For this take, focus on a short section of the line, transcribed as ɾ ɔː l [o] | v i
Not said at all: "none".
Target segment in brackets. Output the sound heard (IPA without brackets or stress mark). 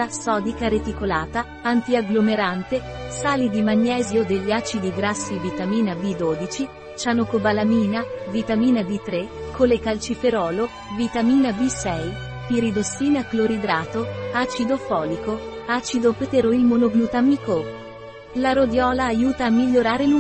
o